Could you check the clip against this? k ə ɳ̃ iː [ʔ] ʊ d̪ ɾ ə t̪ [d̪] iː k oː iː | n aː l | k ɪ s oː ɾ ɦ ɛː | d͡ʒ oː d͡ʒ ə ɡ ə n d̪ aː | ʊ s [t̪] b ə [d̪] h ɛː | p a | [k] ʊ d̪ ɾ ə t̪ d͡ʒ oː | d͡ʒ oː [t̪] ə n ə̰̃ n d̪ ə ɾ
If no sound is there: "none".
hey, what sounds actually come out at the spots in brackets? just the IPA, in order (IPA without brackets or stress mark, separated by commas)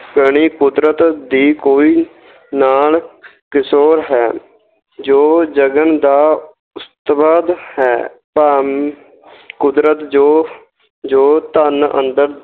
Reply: k, d̪, t̪, d̪, k, t̪